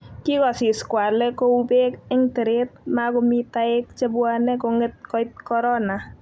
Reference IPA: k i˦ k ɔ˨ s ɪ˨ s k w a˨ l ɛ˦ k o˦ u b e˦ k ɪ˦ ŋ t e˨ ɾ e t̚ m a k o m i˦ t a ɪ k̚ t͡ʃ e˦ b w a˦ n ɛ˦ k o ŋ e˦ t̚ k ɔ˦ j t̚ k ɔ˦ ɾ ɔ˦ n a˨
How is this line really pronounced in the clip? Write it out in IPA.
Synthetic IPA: k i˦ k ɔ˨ s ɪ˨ s k w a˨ l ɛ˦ k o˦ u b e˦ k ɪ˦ ŋ t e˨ ɾ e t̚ m a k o m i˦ t a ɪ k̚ t͡ʃ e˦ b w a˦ n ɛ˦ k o ŋ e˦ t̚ k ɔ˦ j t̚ k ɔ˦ ɾ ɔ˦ n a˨